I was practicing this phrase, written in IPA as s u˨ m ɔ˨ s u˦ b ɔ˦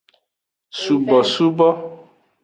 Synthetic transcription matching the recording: s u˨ b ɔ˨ s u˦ b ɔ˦